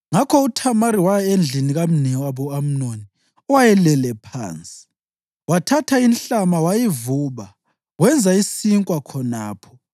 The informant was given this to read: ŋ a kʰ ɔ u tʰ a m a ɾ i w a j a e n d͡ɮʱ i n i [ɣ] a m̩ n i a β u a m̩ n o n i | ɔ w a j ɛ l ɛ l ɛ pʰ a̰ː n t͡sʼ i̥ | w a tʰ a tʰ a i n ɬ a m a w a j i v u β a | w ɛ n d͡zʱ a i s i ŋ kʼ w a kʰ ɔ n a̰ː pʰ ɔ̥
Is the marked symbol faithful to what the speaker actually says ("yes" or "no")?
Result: yes